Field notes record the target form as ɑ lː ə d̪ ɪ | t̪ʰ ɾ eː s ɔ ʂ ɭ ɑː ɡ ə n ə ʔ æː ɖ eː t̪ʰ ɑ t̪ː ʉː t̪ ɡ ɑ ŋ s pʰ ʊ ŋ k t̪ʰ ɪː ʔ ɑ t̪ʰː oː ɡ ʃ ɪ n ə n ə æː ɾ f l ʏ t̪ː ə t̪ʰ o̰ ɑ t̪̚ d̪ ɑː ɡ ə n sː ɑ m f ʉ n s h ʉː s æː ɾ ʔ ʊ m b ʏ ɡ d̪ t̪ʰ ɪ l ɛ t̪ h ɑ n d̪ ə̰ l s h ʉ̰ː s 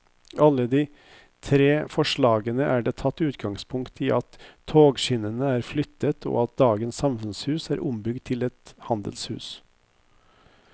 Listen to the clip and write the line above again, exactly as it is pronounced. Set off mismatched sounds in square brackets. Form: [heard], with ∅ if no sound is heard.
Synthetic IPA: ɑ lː ə d̪ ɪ | t̪ʰ ɾ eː [f] ɔ ʂ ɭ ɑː ɡ ə n ə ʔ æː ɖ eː t̪ʰ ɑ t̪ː ʉː t̪ ɡ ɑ ŋ s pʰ ʊ ŋ k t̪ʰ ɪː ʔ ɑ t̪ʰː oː ɡ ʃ ɪ n ə n ə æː ɾ f l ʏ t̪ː ə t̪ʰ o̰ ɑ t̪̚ d̪ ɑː ɡ ə n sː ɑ m f ʉ n s h ʉː s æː ɾ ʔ ʊ m b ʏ ɡ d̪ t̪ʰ ɪ l ɛ t̪ h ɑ n d̪ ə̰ l s h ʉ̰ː s